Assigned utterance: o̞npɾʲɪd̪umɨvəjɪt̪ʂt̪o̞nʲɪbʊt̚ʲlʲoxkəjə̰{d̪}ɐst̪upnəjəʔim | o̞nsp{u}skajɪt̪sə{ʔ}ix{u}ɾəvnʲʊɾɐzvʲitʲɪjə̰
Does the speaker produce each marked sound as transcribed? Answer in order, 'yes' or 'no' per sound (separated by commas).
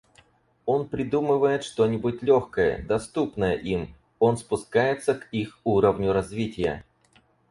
yes, no, no, yes